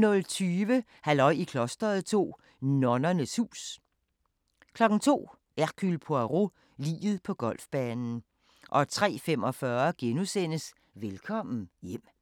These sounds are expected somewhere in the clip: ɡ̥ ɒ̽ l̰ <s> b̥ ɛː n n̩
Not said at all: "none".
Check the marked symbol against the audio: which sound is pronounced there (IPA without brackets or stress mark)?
f